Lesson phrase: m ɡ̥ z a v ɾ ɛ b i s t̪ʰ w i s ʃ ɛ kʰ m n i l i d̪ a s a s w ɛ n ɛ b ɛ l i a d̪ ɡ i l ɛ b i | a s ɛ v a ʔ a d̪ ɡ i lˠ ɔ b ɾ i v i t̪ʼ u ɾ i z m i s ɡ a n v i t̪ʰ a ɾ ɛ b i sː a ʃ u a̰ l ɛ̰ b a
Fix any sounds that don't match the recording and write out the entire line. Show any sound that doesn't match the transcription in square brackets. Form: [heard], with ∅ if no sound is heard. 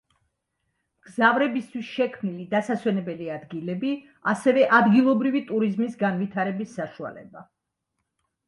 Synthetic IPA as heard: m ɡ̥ z a v ɾ ɛ b i s t̪ʰ w i s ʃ ɛ kʰ m n i l i d̪ a s a s w ɛ n ɛ b ɛ l i a d̪ ɡ i l ɛ b i | a s ɛ v [ɛ] ʔ a d̪ ɡ i lˠ ɔ b ɾ i v i t̪ʼ u ɾ i z m i s ɡ a n v i t̪ʰ a ɾ ɛ b i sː a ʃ u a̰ l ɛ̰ b a

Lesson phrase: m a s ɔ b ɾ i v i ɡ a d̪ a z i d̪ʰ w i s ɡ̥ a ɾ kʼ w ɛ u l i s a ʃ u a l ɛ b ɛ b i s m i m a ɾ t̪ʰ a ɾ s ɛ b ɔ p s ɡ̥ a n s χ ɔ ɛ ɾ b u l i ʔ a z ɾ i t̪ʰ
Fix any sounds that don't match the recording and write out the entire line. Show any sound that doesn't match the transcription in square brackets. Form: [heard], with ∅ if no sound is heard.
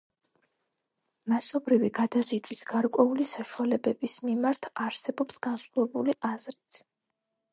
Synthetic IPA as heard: m a s ɔ b ɾ i v i ɡ a d̪ a z i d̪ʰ w i s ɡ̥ a ɾ kʼ w ɛ u l i s a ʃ u a l ɛ b ɛ b i s m i m a ɾ t̪ʰ a ɾ s ɛ b ɔ p s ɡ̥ a n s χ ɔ ɛ [∅] b u l i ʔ a z ɾ i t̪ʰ

